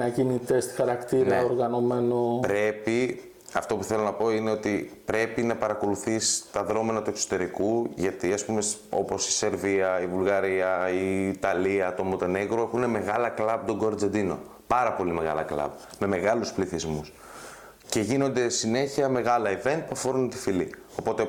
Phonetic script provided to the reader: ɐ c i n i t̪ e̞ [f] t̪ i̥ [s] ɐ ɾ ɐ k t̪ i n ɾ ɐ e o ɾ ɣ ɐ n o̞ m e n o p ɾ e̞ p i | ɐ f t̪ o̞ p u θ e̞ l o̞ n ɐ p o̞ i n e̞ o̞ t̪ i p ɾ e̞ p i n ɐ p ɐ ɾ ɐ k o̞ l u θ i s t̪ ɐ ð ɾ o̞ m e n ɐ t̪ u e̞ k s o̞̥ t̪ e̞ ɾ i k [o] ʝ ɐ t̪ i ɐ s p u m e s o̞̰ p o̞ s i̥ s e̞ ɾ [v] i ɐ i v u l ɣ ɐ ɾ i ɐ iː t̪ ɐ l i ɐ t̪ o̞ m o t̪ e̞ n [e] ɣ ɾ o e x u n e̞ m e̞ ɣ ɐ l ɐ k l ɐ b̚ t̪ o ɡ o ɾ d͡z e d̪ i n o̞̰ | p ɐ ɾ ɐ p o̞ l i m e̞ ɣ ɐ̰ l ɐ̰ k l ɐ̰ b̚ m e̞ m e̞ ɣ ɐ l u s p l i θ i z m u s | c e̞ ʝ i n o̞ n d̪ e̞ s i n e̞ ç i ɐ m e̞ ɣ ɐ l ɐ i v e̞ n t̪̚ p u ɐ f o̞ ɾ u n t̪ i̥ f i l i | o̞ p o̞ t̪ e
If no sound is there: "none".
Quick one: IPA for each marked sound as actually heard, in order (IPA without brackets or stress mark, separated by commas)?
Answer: s, x, u, v, e